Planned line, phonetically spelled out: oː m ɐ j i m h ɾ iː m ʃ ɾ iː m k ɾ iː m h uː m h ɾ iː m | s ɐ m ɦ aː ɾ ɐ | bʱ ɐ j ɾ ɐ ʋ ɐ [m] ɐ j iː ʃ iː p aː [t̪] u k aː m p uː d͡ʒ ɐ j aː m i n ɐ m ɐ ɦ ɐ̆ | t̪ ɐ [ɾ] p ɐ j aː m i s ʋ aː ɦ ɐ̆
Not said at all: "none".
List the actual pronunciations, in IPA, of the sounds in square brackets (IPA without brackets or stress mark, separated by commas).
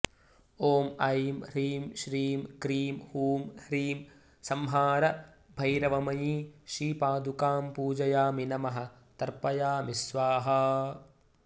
m, d̪, ɾ